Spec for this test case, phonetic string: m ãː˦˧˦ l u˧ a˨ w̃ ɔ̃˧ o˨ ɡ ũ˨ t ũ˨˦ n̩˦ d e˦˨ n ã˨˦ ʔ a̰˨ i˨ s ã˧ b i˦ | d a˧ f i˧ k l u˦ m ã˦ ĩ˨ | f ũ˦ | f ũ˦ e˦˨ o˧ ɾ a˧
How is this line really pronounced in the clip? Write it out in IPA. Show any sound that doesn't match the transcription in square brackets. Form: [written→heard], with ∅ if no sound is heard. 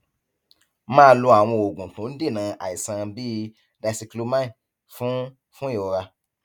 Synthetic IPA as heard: m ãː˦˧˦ l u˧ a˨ w̃ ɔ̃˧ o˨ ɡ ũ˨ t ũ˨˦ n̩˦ d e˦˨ n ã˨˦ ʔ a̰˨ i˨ s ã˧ b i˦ | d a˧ [f→s] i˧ k l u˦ m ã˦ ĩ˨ | f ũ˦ | f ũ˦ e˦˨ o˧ ɾ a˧